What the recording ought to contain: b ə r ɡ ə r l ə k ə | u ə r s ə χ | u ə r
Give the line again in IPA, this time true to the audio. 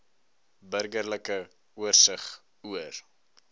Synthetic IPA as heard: b ə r ɡ ə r l ə k ə | u ə r s ə χ | u ə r